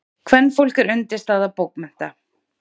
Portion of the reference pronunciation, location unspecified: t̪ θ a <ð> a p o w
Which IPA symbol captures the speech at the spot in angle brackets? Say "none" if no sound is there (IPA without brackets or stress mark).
ð